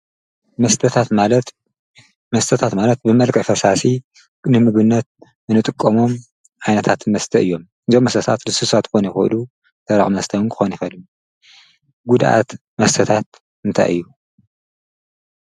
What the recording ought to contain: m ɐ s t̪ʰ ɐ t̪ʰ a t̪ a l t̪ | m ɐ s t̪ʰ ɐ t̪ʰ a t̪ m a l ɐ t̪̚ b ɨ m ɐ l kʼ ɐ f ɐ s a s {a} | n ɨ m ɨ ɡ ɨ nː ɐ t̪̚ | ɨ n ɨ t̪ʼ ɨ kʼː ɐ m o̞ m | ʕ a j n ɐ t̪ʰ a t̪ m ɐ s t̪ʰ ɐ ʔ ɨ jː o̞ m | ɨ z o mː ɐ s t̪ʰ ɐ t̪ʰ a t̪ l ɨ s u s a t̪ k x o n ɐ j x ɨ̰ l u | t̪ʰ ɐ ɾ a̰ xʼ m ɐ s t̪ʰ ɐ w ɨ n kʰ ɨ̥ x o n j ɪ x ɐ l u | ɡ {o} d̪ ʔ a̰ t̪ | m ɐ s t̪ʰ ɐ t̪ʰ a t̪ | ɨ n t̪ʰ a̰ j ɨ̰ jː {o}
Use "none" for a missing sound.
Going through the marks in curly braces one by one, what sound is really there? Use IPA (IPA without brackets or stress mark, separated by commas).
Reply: i, u, u